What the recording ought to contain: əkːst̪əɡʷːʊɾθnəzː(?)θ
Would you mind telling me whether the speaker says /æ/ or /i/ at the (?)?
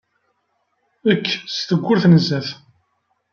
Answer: æ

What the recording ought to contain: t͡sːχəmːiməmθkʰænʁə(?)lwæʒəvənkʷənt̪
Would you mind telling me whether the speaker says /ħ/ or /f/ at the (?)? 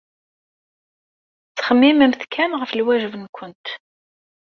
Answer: f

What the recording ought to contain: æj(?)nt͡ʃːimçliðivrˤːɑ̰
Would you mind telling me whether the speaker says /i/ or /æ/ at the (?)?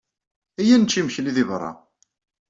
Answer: æ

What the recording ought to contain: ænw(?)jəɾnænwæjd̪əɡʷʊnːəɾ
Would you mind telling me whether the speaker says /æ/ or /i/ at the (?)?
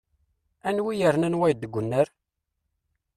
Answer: i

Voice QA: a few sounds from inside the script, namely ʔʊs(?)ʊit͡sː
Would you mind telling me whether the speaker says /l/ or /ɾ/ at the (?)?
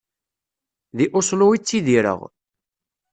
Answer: l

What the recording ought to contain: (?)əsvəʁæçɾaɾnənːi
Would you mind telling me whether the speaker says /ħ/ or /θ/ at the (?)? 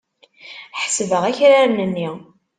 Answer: ħ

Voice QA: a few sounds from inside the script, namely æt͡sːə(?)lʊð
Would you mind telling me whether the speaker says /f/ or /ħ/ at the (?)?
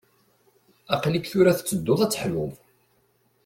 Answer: ħ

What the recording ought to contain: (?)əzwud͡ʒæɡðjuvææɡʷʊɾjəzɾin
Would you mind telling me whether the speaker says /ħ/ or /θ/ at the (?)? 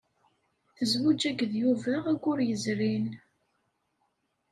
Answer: θ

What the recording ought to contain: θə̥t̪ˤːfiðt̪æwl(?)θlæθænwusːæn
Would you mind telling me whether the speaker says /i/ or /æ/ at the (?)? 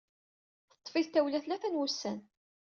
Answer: æ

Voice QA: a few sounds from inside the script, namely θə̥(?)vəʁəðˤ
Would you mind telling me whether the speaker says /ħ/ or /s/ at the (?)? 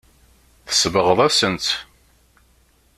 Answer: s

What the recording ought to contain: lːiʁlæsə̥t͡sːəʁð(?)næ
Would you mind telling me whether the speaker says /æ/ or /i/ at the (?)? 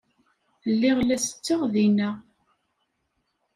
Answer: i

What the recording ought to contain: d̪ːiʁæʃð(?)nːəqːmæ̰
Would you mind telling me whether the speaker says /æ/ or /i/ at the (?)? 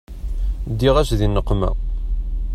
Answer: i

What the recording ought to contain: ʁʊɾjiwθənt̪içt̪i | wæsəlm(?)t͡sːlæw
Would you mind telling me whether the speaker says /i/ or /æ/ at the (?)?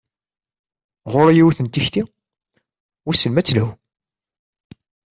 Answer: æ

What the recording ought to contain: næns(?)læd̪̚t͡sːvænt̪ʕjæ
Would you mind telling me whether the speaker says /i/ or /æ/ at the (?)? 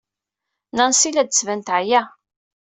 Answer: i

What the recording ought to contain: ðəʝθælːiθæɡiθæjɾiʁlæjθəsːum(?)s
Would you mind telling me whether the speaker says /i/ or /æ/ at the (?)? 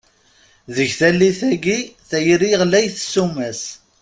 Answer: æ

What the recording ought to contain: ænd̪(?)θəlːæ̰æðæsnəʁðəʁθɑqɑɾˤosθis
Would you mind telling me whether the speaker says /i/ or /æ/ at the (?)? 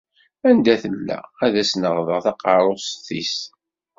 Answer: æ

